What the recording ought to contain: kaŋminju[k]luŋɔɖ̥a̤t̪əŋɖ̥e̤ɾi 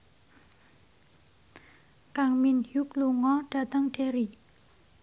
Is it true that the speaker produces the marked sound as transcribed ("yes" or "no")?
yes